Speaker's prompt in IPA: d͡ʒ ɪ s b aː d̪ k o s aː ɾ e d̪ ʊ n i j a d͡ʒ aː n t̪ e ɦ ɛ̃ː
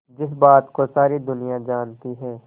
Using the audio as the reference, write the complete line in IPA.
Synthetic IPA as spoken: d͡ʒ ɪ s b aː t̪ k o s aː ɾ i d̪ ʊ n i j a d͡ʒ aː n t̪ i ɦ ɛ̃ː